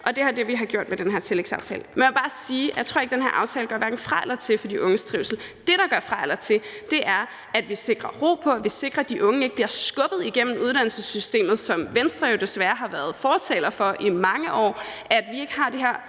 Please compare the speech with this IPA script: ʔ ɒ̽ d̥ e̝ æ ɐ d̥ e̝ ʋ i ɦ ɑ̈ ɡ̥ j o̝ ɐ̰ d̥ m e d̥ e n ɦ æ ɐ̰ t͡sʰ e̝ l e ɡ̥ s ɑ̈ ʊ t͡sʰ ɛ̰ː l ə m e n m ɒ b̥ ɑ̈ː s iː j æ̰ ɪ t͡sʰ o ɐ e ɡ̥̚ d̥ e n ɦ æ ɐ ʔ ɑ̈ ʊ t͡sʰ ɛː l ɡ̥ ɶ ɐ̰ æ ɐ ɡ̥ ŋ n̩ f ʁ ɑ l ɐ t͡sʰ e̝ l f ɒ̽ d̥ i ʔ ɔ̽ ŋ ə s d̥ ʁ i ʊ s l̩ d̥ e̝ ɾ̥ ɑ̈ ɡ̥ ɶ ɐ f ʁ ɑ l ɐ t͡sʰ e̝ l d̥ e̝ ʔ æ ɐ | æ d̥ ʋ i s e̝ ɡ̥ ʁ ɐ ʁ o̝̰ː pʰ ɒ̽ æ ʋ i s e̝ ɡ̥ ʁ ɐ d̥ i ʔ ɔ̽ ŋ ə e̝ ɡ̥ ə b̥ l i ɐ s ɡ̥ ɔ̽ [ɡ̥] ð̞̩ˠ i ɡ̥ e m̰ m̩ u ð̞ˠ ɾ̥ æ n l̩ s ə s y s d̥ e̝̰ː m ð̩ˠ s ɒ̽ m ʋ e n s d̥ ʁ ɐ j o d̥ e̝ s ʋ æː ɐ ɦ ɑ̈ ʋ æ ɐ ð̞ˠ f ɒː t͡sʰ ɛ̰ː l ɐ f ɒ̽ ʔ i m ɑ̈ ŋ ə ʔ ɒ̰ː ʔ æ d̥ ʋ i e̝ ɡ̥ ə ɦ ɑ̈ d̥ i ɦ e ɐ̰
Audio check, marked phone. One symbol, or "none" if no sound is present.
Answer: b̥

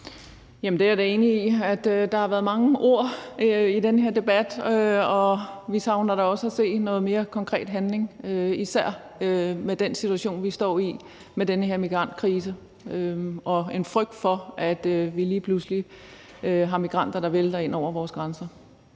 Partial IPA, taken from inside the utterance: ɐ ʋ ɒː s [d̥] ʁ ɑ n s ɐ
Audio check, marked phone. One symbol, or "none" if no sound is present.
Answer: ɡ̥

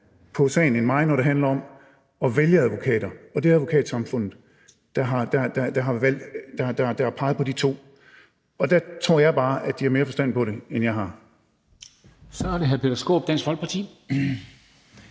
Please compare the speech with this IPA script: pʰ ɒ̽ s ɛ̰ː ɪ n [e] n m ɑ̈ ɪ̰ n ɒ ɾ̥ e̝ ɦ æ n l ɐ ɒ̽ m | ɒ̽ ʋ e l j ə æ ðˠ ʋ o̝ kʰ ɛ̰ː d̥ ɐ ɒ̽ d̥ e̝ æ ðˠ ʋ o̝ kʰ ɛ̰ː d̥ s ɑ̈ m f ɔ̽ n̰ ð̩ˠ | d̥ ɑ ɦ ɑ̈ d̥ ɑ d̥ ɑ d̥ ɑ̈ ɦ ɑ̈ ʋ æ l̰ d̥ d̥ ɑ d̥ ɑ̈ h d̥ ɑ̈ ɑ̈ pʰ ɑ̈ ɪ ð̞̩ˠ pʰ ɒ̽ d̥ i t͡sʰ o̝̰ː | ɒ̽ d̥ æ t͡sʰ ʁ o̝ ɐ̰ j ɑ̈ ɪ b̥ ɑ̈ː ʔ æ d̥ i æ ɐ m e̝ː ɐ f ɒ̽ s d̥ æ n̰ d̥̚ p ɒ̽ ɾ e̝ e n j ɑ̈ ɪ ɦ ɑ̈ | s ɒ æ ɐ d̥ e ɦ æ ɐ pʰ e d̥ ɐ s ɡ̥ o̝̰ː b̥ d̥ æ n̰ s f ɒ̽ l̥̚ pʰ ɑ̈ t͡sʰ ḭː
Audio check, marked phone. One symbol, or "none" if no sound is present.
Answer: e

